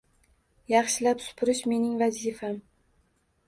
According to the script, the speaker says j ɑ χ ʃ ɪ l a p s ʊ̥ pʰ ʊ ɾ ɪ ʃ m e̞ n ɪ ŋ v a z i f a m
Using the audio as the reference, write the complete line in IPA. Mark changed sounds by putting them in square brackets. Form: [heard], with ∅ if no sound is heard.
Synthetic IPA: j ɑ χ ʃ ɪ l a p s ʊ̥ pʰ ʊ ɾ ɪ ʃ m e̞ n ɪ ŋ v a z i f a m